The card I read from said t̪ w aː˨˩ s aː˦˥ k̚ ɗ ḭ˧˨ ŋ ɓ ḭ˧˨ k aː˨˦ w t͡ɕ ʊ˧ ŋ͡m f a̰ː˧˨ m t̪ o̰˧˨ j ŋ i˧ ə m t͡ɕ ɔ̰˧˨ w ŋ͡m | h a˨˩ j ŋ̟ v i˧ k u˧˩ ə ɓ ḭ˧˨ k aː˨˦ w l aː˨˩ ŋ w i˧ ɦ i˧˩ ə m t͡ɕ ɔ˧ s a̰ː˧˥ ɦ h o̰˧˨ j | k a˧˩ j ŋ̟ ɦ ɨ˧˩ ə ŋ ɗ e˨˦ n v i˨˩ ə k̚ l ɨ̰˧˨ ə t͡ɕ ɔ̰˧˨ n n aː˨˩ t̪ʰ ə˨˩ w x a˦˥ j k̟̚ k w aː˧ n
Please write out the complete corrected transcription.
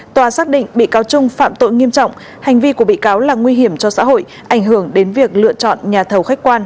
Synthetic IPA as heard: t̪ w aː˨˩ s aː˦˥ k̚ ɗ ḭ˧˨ ŋ ɓ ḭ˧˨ k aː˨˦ w t͡ɕ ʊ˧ ŋ͡m f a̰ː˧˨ m t̪ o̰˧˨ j ŋ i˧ ə m t͡ɕ ɔ̰˧˨ w ŋ͡m | h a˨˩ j ŋ̟ v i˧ k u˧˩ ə ɓ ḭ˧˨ k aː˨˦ w l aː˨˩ ŋ w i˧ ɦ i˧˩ ə m t͡ɕ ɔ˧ s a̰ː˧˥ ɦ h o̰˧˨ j | ʔ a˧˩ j ŋ̟ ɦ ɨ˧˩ ə ŋ ɗ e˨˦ n v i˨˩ ə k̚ l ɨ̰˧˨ ə t͡ɕ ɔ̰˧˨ n ɲ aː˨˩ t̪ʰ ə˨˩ w x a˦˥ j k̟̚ k w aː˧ n